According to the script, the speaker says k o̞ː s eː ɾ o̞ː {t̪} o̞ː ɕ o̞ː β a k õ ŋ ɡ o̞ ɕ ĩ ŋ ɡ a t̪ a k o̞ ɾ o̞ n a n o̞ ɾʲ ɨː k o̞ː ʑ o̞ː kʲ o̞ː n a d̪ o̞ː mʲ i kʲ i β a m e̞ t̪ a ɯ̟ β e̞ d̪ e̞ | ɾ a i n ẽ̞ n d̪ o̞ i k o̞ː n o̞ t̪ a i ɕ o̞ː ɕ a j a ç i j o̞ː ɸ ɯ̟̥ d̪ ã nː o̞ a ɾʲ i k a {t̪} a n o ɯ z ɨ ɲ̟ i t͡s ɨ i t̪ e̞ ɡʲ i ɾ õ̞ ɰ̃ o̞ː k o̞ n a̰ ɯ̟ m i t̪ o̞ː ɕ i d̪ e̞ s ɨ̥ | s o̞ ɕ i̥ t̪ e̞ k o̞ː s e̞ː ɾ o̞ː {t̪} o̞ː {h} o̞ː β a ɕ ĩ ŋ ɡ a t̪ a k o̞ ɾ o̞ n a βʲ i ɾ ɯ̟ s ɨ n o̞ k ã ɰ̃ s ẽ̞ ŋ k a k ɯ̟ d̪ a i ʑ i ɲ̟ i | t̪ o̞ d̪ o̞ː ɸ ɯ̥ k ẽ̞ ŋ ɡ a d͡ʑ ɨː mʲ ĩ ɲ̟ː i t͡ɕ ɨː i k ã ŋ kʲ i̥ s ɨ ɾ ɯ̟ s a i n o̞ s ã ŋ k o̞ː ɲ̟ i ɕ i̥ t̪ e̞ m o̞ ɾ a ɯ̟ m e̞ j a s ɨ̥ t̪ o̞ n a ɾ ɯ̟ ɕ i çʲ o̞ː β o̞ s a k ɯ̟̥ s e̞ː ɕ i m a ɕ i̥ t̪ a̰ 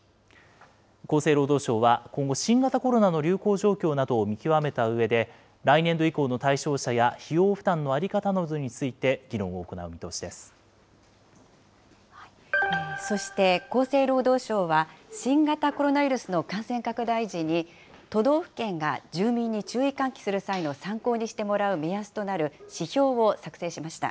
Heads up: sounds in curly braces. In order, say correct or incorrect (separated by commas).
incorrect, correct, incorrect, incorrect